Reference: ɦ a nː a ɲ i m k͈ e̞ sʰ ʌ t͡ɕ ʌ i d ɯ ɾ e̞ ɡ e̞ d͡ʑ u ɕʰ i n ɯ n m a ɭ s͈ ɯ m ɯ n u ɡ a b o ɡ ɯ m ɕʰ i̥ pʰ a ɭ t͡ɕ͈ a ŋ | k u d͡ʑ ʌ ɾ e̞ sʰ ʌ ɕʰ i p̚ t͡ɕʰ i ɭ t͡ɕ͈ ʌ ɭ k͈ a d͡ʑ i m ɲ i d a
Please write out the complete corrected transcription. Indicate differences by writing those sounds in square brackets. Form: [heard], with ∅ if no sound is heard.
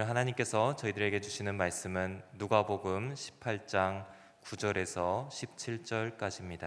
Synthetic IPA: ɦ a [n] a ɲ i m k͈ e̞ sʰ ʌ t͡ɕ ʌ i d ɯ ɾ e̞ ɡ e̞ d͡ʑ u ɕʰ i n ɯ n m a ɭ s͈ ɯ m ɯ [nː] u ɡ a b o ɡ ɯ m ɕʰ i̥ pʰ a ɭ t͡ɕ͈ a ŋ | k u d͡ʑ ʌ ɾ e̞ sʰ ʌ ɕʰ i p̚ t͡ɕʰ i ɭ t͡ɕ͈ ʌ ɭ k͈ a d͡ʑ i m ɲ i d a